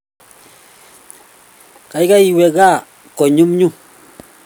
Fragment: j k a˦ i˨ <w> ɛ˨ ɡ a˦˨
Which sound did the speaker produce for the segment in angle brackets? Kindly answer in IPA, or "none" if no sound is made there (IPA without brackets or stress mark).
w